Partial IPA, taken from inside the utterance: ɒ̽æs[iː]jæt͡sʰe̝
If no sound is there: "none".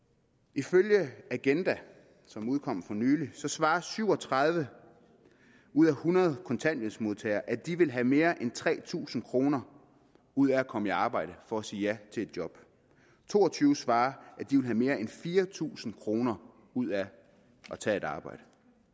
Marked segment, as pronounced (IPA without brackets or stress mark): iː